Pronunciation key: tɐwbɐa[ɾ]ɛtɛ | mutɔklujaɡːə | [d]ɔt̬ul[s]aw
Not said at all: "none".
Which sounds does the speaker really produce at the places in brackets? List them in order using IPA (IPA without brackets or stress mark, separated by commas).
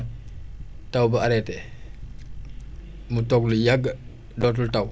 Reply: ɾ, d, t